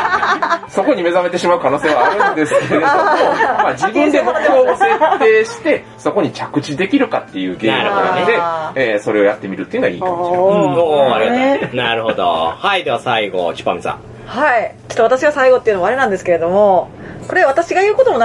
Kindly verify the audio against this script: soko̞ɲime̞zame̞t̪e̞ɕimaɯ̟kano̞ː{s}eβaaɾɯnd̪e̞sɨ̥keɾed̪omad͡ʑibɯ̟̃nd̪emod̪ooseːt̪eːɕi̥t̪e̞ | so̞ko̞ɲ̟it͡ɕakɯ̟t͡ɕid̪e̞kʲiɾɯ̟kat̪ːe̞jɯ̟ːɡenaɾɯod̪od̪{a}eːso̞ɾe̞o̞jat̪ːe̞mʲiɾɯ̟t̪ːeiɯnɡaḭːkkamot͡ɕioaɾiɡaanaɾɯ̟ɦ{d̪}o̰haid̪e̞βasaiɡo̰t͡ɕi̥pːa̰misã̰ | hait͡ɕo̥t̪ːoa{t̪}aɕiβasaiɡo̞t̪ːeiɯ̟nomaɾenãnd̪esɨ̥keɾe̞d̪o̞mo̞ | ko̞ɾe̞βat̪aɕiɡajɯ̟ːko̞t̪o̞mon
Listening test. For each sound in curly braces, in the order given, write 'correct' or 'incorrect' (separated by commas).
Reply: correct, incorrect, correct, correct